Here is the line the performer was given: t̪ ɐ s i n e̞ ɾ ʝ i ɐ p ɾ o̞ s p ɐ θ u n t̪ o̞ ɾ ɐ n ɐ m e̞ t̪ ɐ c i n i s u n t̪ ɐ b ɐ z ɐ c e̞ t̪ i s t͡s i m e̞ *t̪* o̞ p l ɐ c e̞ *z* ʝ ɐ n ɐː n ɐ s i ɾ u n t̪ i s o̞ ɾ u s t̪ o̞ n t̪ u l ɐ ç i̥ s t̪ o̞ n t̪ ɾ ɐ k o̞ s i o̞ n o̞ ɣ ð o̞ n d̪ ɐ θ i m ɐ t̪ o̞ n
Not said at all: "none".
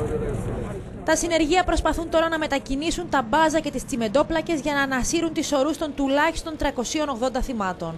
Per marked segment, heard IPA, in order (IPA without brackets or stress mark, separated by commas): d̪, z